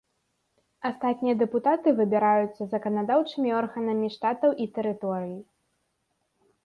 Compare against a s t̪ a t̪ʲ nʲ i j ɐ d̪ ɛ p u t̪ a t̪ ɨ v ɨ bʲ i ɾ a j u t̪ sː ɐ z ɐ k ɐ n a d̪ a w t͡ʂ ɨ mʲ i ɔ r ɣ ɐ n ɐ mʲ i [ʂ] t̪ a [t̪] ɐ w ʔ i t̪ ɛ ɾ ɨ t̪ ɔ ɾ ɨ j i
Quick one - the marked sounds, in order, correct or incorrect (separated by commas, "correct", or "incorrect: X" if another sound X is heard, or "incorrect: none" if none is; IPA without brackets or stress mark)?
correct, correct